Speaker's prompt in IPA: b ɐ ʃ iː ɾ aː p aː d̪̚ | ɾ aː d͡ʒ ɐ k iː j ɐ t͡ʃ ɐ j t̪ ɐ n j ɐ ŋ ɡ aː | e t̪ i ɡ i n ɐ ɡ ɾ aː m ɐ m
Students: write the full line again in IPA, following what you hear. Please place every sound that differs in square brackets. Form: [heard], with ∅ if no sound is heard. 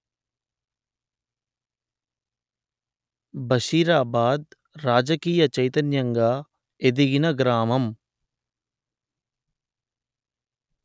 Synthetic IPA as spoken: b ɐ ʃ iː ɾ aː [b] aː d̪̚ | ɾ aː d͡ʒ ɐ k iː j ɐ t͡ʃ ɐ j t̪ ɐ n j ɐ ŋ ɡ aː | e [d̪] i ɡ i n ɐ ɡ ɾ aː m ɐ m